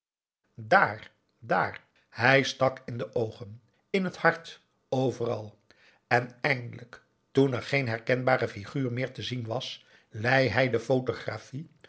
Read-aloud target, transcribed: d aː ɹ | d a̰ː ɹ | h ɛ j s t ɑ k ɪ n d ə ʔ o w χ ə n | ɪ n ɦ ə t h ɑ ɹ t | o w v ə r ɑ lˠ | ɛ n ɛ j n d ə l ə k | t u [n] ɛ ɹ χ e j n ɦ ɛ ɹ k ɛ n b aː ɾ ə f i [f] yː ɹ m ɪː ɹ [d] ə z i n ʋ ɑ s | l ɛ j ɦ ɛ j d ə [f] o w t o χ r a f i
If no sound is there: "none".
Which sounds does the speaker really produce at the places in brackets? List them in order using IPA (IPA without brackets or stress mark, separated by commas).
n, χ, t, f